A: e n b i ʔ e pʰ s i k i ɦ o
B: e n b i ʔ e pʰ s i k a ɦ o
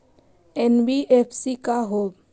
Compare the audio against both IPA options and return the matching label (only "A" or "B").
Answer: B